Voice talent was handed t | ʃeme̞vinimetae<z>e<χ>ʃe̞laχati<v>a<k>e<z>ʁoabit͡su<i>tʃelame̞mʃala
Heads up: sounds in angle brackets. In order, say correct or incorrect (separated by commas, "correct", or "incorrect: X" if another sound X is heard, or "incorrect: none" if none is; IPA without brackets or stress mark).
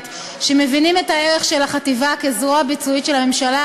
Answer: incorrect: ʁ, correct, correct, correct, correct, correct